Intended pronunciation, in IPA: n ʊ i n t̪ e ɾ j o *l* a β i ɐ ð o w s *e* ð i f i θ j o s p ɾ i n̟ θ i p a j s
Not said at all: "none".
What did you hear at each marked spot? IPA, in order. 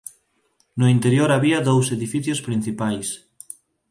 ɾ, e

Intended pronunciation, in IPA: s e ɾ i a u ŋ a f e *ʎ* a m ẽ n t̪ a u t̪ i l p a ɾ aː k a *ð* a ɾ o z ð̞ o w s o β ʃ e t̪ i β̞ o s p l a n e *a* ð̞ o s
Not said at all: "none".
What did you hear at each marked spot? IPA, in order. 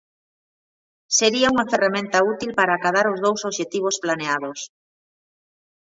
r, ð, a

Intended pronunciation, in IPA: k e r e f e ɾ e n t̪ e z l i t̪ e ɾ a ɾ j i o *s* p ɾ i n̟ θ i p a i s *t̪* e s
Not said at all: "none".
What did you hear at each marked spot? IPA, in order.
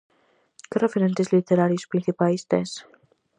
s, t̪

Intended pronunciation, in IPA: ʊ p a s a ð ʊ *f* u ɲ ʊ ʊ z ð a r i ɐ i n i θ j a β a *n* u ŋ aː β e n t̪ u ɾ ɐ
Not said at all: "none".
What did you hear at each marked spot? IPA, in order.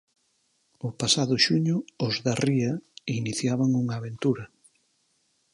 ʃ, ŋ

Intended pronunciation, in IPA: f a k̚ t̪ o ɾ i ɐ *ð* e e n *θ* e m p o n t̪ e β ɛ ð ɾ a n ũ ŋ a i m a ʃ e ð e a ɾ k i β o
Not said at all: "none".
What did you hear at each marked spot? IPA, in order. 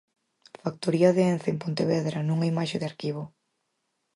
ð, θ

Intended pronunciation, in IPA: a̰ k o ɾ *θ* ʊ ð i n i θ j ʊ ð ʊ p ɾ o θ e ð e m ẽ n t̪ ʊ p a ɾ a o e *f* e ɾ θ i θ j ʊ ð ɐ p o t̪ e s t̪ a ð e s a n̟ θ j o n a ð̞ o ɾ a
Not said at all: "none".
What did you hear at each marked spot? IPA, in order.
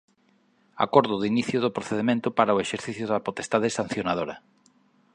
ð, ʃ

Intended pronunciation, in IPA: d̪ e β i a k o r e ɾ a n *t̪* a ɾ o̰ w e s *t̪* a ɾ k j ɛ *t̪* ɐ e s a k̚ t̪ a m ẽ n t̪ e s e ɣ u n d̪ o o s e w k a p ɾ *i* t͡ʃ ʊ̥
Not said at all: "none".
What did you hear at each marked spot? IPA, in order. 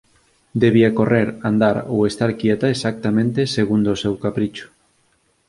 d̪, t̪, t̪, i

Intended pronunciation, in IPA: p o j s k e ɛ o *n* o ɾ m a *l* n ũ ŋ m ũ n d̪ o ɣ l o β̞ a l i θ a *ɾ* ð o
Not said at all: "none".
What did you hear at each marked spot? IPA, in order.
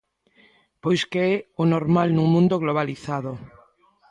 n, l, none

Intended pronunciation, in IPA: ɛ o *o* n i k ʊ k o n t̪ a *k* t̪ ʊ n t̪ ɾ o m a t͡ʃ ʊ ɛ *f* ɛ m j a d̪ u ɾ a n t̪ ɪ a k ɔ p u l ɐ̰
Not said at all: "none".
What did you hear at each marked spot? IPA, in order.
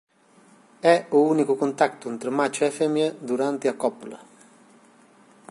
u, k, f

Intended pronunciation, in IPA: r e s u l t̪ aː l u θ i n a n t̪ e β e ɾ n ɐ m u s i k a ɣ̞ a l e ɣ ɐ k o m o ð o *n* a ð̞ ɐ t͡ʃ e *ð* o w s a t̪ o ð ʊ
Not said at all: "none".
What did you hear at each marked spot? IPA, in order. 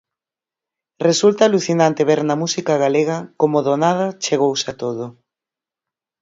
n, ɣ

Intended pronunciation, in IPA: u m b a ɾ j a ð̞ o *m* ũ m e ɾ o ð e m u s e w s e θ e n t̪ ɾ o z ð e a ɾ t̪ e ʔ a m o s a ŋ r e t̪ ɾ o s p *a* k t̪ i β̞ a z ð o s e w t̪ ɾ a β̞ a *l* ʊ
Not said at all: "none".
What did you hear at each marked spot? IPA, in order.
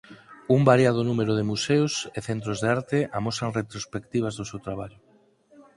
n, e, ʎ

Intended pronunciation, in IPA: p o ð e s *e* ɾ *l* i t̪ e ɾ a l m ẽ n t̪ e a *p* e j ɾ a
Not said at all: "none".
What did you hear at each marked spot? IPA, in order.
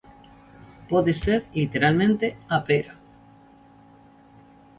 e, l, p

